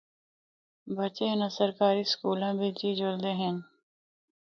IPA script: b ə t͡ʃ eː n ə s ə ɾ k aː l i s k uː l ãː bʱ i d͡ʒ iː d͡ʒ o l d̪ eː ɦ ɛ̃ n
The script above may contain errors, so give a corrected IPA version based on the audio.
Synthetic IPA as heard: b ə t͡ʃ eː n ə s ə ɾ k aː ɾ i s k uː l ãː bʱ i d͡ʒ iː d͡ʒ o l d̪ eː ɦ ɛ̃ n